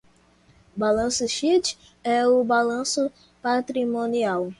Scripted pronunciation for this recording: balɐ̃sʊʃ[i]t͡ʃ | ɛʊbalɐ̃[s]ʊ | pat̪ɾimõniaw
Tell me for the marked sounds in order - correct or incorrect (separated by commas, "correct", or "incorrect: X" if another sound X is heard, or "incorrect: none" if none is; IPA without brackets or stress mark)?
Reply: correct, correct